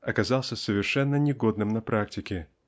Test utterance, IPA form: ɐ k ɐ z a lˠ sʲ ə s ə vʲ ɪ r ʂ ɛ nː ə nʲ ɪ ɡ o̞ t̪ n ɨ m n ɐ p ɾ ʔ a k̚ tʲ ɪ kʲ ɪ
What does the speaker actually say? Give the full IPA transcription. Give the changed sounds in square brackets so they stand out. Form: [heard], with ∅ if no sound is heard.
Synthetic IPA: ɐ k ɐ z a lˠ sʲ ə s ə vʲ ɪ r ʂ ɛ nː ə nʲ ɪ ɡ o̞ [d̪] n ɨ m n ɐ p ɾ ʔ a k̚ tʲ ɪ kʲ ɪ

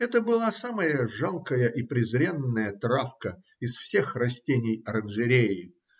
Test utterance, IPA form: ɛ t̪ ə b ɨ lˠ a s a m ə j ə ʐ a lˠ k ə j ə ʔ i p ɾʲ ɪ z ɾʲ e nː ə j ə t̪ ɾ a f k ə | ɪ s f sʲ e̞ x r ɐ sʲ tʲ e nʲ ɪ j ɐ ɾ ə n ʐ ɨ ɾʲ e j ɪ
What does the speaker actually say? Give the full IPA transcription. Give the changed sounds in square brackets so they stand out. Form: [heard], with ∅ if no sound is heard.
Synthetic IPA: ɛ t̪ ə b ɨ lˠ a s a m ə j ə ʐ a lˠ k ə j ə ʔ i p ɾʲ ɪ z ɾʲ e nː ə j ə t̪ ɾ a f k ə | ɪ s f sʲ e̞ x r ɐ sʲ tʲ e nʲ ɪ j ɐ ɾ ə n ʐ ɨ ɾʲ e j ɪ

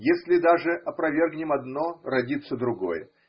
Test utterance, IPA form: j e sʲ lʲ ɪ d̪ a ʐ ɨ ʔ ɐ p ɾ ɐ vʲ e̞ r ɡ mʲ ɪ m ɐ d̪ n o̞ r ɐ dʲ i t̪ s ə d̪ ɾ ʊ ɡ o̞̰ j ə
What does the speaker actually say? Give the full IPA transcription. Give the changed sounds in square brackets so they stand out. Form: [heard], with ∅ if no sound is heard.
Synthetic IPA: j e sʲ lʲ ɪ d̪ a ʐ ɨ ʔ ɐ p ɾ ɐ vʲ e̞ r ɡ [nʲ] ɪ m ɐ d̪ n o̞ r ɐ dʲ i t̪ s ə d̪ ɾ ʊ ɡ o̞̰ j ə

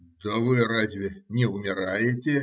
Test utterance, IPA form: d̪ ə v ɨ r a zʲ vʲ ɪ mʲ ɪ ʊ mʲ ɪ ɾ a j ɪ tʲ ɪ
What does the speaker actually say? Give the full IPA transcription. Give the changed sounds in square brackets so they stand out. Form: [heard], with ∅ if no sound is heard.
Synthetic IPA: d̪ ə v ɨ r a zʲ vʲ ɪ [nʲ] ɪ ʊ mʲ ɪ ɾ a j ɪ tʲ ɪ

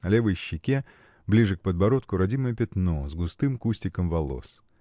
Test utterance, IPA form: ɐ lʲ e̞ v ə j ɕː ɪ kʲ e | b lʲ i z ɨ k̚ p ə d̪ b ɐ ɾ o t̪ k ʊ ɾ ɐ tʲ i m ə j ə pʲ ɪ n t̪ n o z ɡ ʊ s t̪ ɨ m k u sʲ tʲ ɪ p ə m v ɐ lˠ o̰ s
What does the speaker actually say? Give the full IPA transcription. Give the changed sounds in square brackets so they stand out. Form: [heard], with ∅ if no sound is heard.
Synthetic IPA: ɐ lʲ e̞ v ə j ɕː ɪ kʲ e | b lʲ i [ʐ] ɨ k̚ p ə d̪ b ɐ ɾ o t̪ k ʊ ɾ ɐ [dʲ] i m ə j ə pʲ ɪ [∅] t̪ n o z ɡ ʊ s t̪ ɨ m k u sʲ tʲ ɪ [k] ə m v ɐ lˠ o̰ s

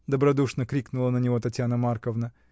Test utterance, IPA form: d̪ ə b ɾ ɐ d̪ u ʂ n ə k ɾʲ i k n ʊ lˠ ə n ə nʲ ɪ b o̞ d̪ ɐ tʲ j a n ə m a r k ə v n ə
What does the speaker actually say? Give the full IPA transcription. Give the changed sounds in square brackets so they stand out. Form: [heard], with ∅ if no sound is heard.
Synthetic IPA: d̪ ə b ɾ ɐ d̪ u ʂ n ə k ɾʲ i k n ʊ lˠ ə n ə nʲ ɪ [v] o̞ [t̪] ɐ tʲ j a n ə m a r k ə v n ə

